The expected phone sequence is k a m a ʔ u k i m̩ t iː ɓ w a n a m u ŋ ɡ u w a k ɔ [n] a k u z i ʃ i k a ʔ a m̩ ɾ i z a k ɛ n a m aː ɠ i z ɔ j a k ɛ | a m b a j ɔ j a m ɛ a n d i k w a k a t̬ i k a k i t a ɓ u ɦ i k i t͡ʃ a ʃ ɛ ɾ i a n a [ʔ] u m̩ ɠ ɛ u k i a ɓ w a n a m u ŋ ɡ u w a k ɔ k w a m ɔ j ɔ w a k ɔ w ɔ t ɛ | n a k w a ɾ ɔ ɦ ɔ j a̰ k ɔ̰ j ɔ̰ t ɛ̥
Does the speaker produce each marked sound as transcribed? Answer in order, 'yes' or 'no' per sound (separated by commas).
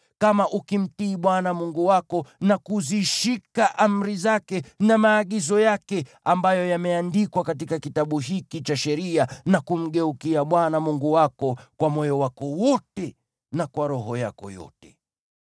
yes, no